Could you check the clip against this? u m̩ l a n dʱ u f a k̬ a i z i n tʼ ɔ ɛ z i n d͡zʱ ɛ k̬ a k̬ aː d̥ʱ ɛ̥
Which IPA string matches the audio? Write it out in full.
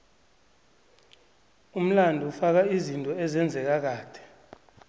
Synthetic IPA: u m̩ l a n dʱ u f a k̬ a i z i n tʼ ɔ ɛ z ɛ n d͡zʱ ɛ k̬ a k̬ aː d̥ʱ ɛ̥